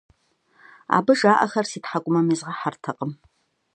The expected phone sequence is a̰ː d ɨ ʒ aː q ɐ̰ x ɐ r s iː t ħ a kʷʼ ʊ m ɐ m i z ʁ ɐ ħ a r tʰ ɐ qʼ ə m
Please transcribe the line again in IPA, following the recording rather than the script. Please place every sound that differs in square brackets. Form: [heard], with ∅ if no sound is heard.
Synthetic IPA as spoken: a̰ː [b] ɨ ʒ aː [ʔ] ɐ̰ x ɐ r s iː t ħ a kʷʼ ʊ m ɐ m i z ʁ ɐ ħ a r tʰ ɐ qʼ ə m